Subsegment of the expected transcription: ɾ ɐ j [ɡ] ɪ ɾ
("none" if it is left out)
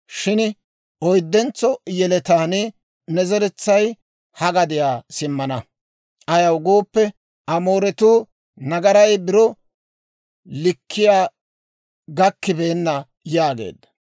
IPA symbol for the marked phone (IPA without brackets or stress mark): b